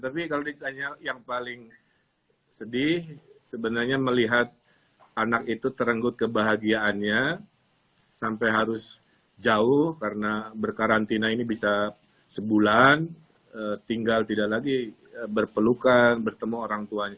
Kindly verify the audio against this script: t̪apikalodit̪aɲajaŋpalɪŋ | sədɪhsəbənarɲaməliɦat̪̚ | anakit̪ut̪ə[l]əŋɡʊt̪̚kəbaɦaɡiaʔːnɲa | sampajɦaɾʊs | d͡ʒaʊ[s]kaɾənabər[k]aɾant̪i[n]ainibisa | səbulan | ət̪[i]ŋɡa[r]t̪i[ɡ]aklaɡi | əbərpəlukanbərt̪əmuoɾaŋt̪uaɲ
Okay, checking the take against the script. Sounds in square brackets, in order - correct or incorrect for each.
incorrect: ɾ, incorrect: h, correct, correct, correct, incorrect: l, incorrect: d

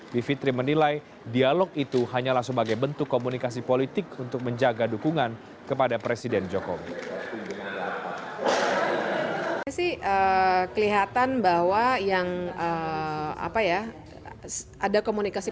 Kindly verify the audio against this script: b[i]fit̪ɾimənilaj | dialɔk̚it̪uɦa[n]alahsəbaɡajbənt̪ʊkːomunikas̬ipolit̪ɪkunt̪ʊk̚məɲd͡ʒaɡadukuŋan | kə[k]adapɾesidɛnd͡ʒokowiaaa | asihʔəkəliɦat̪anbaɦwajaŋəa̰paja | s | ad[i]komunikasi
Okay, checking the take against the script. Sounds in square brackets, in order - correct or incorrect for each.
correct, incorrect: ɲ, incorrect: p, incorrect: a

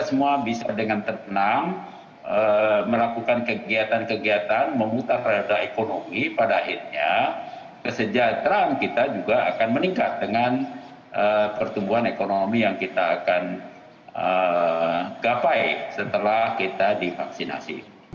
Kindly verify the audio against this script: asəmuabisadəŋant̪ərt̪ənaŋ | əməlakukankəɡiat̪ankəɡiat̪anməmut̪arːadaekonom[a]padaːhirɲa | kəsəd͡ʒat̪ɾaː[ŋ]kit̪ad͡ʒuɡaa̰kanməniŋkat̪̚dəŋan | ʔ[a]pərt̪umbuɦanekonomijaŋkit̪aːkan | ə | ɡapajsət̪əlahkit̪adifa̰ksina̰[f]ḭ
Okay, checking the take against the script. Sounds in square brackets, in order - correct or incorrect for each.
incorrect: i, incorrect: n, incorrect: ə, incorrect: s

